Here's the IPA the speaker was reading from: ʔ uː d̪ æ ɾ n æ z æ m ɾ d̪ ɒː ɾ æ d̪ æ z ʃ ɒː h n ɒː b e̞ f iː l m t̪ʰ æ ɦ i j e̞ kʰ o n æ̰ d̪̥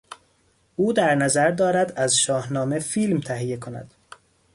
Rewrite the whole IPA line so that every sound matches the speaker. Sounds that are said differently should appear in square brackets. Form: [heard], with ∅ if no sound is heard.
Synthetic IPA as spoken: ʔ uː d̪ æ ɾ n æ z æ [∅] ɾ d̪ ɒː ɾ æ d̪ æ z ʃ ɒː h n ɒː [m] e̞ f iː l m t̪ʰ æ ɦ i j e̞ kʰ o n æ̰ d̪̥